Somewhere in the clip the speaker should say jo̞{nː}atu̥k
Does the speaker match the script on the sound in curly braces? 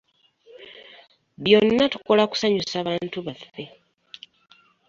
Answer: yes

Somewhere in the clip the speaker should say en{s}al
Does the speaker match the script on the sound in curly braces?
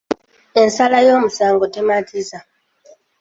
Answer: yes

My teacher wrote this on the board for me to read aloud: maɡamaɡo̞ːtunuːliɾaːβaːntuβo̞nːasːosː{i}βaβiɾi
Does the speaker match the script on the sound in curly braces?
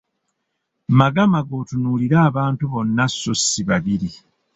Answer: yes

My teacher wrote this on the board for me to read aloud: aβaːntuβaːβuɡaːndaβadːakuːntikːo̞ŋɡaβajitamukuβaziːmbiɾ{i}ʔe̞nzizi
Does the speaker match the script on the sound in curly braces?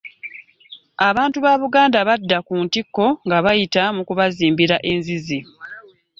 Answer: no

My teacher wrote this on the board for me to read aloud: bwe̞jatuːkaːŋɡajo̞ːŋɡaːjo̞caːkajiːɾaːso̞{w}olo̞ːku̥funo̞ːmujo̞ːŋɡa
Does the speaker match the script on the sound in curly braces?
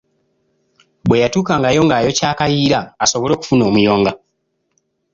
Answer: no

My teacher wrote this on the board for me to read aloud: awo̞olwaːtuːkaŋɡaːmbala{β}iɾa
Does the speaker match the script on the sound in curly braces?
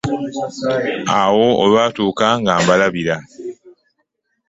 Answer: yes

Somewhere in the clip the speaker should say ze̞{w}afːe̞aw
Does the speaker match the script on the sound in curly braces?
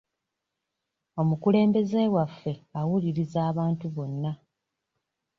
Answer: yes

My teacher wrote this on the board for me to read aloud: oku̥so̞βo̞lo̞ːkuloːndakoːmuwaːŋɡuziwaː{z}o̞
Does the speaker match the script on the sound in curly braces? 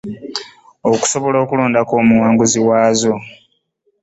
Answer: yes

